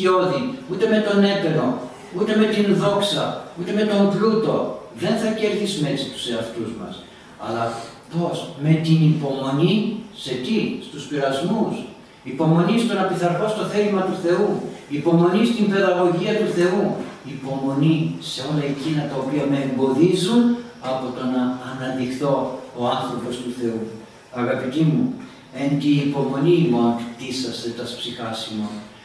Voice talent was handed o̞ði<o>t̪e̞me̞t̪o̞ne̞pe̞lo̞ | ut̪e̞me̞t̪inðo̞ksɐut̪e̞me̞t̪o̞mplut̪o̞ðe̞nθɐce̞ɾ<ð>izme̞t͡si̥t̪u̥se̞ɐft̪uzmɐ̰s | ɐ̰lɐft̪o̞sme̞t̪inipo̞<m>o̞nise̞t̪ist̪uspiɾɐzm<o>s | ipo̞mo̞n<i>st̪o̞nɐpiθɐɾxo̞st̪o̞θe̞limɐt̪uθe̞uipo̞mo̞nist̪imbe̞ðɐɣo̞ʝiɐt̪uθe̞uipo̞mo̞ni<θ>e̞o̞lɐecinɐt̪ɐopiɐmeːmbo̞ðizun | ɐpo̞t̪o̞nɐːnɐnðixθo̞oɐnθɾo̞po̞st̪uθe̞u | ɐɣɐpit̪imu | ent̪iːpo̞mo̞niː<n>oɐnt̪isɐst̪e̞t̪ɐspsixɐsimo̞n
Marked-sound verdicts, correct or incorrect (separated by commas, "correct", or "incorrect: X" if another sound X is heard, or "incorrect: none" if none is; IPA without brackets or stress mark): incorrect: u, incorrect: θ, correct, incorrect: u, correct, incorrect: s, incorrect: m